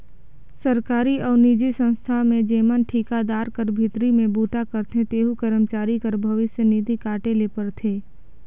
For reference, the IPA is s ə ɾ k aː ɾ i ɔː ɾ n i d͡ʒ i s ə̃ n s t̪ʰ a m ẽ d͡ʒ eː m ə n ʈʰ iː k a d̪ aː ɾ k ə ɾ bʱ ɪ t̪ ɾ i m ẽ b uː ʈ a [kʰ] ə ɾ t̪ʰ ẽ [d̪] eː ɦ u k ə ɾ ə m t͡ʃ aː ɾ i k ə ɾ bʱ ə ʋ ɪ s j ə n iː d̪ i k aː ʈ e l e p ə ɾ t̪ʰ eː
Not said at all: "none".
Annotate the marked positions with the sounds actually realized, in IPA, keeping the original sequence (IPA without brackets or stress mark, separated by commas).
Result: k, t̪